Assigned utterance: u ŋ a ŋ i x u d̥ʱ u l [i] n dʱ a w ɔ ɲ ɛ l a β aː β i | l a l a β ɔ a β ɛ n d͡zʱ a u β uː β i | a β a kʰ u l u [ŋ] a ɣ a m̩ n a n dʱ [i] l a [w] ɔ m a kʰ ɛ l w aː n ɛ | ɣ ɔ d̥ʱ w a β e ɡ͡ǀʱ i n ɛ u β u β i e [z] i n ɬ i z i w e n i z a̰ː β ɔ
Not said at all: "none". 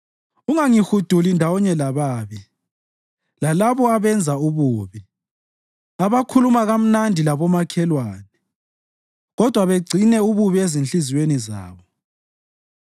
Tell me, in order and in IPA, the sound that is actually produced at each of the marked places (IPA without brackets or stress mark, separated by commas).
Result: i, m, i, β, z